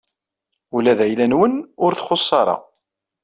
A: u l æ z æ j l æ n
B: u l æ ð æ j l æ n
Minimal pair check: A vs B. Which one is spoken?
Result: B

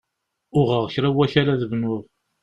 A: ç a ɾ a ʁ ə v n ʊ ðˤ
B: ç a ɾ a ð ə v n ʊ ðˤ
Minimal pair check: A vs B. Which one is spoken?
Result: B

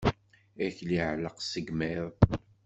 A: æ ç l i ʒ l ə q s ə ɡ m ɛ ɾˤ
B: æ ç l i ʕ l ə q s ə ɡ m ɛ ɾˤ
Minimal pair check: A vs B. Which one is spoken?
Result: B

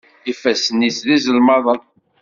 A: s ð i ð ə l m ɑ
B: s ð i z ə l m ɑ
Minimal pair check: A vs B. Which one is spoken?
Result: B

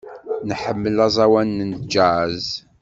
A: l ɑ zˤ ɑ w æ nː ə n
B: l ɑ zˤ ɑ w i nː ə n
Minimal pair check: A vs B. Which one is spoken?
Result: A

